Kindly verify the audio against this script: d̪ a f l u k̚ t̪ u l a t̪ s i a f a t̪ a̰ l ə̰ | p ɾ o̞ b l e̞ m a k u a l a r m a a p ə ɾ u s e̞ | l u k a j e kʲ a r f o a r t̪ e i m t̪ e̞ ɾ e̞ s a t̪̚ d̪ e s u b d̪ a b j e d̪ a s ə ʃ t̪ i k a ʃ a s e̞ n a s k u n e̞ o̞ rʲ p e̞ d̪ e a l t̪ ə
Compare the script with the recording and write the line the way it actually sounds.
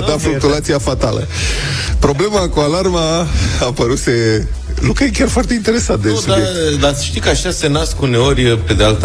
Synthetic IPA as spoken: d̪ a f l u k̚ t̪ u l a t̪ s i a f a t̪ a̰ l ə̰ | p ɾ o̞ b l e̞ m a k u a l a r m a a p ə ɾ u s e̞ | l u k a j e kʲ a r f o a r t̪ e i n t̪ e̞ ɾ e̞ s a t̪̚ d̪ e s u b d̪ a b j e d̪ a s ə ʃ t̪ i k a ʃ a s e̞ n a s k u n e̞ o̞ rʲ p e̞ d̪ e a l t̪ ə